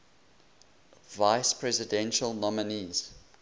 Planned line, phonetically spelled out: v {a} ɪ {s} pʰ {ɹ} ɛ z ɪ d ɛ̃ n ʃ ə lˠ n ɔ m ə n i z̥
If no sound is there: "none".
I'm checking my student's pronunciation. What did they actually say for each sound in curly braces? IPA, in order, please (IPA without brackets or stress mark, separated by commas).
a, s, ɹ